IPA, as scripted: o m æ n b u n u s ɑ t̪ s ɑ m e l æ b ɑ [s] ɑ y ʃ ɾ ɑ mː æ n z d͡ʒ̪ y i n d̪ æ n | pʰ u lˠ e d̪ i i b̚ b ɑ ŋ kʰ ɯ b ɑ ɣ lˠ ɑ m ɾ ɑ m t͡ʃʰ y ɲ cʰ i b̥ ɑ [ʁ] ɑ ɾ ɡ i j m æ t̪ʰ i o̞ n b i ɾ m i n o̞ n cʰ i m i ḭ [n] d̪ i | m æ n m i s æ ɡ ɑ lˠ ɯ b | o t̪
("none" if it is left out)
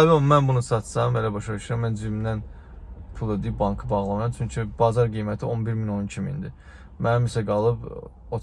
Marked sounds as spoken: ʃ, z, n

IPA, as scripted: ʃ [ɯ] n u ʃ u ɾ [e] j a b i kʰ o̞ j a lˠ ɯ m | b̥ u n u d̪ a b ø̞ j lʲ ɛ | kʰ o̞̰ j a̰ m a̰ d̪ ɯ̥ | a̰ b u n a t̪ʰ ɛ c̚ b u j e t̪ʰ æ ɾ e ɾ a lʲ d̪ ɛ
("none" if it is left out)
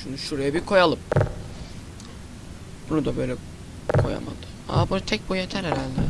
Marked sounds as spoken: u, a

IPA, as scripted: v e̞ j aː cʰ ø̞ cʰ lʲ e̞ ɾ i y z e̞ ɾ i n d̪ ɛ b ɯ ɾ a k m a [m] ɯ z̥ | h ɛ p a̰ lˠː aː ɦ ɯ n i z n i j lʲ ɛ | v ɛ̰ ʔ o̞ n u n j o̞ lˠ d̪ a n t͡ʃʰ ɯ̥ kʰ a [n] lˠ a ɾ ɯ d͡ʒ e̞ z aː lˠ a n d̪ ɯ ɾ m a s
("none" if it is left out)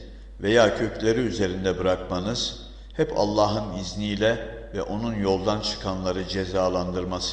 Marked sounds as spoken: n, n

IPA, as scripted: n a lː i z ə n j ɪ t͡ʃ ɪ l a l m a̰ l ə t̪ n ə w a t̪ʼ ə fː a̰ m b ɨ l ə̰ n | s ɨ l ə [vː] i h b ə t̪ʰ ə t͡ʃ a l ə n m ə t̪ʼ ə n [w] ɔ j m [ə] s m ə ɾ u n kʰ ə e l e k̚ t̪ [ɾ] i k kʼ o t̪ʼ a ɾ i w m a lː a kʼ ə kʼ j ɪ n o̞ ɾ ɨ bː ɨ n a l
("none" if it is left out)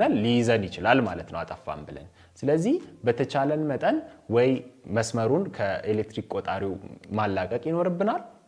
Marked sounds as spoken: zː, w, ə, ɾ

